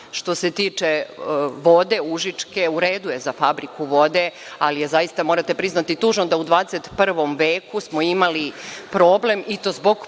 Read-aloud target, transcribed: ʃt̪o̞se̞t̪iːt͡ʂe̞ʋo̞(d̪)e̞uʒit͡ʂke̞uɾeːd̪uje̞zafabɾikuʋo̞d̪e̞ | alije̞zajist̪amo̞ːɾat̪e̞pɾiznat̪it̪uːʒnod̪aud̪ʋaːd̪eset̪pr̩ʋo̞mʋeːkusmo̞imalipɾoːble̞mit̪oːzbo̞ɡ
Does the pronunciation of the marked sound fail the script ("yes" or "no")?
no